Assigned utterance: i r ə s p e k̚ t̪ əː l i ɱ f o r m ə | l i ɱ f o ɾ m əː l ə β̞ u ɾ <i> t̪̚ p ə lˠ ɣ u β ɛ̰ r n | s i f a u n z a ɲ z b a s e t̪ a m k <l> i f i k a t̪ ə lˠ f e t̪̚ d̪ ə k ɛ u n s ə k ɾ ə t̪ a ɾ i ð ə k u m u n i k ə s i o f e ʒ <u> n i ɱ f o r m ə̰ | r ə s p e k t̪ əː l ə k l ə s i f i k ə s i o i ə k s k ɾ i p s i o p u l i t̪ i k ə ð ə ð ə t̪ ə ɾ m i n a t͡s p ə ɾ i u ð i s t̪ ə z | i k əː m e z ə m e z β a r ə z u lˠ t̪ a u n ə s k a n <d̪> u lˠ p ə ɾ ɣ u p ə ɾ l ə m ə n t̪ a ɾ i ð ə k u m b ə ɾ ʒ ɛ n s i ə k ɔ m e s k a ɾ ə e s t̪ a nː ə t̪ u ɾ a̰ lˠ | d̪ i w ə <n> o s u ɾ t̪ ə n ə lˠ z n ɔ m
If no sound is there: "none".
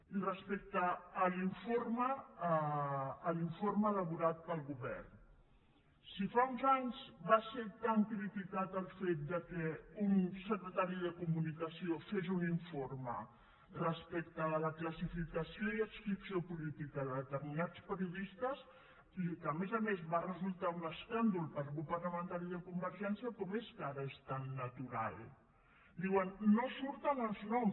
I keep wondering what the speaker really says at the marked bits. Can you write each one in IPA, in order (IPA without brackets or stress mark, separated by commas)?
a, ɾ, u, d̪, nː